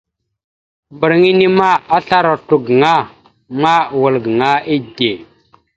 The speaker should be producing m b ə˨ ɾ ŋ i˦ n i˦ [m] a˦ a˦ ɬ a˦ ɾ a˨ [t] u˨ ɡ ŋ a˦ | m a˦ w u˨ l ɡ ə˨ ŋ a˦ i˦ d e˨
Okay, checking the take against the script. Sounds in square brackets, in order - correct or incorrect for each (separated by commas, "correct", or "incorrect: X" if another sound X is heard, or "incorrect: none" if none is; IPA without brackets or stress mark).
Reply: correct, correct